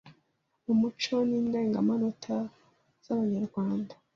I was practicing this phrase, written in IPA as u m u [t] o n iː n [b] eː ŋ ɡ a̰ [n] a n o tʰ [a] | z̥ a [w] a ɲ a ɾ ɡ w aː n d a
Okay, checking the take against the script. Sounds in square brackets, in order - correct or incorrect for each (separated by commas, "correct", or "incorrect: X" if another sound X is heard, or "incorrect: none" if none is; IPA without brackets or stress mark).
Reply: incorrect: t͡ʃ, incorrect: d, incorrect: m, correct, incorrect: β